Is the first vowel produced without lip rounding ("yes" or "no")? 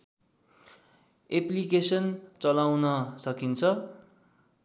yes